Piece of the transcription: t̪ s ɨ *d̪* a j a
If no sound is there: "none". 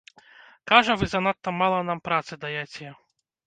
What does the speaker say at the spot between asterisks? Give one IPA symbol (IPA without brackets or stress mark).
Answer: d̪